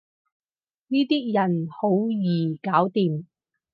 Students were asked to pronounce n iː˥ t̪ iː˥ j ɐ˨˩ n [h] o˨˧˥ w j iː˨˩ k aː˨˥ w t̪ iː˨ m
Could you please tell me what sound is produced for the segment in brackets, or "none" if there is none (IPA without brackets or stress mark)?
h